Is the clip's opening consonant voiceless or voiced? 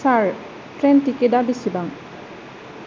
voiceless